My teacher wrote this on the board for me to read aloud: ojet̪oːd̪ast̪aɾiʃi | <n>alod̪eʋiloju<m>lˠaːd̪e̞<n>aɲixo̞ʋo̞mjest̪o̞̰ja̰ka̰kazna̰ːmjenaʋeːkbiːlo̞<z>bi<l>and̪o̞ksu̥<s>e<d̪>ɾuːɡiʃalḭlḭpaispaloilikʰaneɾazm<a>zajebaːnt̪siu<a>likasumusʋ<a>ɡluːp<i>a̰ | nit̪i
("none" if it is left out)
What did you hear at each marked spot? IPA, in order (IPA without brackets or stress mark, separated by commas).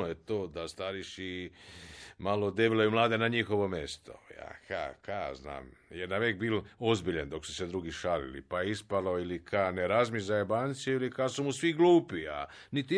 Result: m, m, n, z, ʎ, s, d̪, i, i, i, i